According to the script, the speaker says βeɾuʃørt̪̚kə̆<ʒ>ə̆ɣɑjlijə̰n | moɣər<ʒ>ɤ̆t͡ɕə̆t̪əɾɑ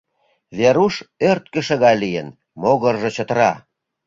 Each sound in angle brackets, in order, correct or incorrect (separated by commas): incorrect, correct